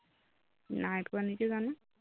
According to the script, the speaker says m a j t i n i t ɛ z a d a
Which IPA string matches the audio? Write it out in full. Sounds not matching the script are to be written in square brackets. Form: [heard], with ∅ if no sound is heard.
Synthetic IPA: [n] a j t [a] n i [k] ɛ z a [n] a